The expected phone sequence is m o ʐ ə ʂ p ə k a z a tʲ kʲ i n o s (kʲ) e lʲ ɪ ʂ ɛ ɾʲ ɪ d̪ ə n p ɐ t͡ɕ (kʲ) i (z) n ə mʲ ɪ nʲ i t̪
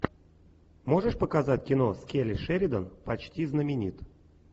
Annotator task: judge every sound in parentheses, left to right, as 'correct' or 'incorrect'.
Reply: correct, incorrect, correct

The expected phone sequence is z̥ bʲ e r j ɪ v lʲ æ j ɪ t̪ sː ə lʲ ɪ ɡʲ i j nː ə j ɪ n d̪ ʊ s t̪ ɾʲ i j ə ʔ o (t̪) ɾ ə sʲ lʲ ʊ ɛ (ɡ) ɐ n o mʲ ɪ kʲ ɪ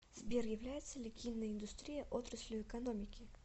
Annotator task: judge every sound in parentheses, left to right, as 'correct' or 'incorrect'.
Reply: correct, incorrect

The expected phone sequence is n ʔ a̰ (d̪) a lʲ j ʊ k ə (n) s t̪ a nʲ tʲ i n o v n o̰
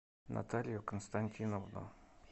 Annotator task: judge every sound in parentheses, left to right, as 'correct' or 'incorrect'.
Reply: incorrect, correct

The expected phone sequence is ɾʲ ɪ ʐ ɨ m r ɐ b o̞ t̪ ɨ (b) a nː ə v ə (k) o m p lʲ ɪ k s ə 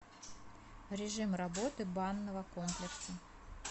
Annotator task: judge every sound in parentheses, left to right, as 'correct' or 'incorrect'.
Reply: correct, correct

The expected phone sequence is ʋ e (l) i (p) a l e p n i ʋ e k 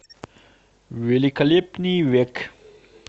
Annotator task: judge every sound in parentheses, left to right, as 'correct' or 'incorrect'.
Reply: correct, incorrect

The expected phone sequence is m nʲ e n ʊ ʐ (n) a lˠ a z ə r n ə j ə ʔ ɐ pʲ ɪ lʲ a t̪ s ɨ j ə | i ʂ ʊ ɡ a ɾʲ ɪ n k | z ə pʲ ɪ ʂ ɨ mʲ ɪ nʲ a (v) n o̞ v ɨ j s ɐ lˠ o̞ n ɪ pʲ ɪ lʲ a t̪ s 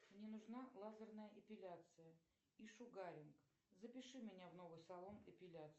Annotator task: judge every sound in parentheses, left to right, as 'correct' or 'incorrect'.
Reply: correct, correct

